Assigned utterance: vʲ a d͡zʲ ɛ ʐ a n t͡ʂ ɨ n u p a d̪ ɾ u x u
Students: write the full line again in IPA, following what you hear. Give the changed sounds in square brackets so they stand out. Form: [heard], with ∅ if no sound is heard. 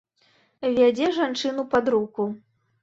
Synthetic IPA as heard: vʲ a d͡zʲ ɛ ʐ a n t͡ʂ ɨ n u p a d̪ ɾ u [k] u